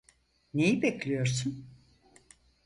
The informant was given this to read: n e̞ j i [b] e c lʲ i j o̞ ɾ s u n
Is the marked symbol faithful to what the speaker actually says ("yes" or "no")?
yes